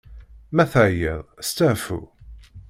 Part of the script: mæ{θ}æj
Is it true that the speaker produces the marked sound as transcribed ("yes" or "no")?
yes